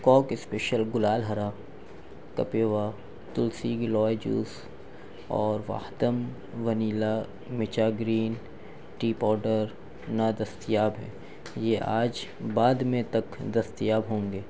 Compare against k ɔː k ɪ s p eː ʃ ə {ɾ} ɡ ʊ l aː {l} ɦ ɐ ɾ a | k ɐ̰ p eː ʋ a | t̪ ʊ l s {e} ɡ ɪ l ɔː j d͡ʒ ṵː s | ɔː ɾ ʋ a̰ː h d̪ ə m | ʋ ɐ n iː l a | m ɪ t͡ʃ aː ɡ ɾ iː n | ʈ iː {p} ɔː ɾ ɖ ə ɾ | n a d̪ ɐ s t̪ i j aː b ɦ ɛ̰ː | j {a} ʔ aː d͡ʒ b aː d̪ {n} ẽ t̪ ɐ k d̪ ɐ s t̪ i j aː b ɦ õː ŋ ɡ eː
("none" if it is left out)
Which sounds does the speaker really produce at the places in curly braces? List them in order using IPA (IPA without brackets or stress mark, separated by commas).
l, l, i, p, e, m